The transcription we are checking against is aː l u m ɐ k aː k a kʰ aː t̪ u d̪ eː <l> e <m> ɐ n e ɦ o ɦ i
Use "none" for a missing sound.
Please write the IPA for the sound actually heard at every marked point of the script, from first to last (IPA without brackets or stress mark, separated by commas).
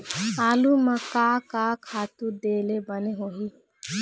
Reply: l, b